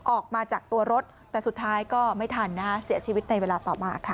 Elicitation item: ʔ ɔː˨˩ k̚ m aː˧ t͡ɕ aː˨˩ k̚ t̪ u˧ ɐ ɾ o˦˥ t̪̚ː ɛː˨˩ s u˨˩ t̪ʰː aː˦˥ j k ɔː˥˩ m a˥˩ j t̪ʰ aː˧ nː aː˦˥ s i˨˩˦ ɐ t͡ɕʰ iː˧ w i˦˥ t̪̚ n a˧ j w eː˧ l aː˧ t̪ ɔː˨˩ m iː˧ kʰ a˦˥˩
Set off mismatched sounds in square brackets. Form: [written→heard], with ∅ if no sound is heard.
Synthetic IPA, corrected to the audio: ʔ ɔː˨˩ k̚ m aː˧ t͡ɕ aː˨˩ k̚ t̪ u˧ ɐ ɾ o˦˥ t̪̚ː ɛː˨˩ s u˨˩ t̪ʰː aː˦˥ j k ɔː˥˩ m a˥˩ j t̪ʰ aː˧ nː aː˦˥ s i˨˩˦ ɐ t͡ɕʰ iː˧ w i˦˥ t̪̚ n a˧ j w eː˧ l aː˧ t̪ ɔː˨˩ m [iː˧→aː˧] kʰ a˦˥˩